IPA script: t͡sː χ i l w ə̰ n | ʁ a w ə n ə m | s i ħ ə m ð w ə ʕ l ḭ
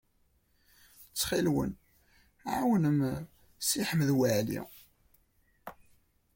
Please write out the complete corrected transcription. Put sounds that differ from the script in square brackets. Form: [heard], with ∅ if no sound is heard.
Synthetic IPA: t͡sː χ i l w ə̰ n | [ʕ] a w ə n ə m | s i ħ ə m ð w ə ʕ l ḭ